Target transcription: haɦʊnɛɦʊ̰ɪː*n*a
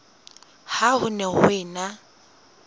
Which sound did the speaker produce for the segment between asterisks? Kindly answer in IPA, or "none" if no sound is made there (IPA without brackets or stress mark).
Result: n